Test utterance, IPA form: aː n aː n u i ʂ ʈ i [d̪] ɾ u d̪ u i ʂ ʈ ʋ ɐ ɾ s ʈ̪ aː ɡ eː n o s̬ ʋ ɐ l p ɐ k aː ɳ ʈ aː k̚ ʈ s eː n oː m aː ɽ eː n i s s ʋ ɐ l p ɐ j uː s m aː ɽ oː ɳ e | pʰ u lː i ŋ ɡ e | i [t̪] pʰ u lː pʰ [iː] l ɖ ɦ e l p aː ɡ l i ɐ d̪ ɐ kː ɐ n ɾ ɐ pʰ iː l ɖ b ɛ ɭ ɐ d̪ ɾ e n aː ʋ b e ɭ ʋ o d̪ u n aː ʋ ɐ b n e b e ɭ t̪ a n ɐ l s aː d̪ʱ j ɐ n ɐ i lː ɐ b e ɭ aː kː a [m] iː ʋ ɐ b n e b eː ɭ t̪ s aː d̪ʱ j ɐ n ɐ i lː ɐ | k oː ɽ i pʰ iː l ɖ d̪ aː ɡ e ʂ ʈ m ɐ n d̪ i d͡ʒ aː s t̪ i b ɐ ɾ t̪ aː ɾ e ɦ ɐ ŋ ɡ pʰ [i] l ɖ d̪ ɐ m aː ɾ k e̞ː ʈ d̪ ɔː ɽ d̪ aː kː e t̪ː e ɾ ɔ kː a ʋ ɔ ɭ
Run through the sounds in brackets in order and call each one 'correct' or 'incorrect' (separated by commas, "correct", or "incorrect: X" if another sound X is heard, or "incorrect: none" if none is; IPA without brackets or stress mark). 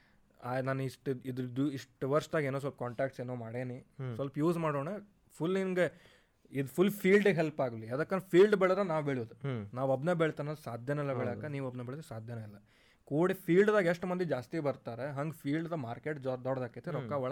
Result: correct, incorrect: d̪, correct, incorrect: n, incorrect: iː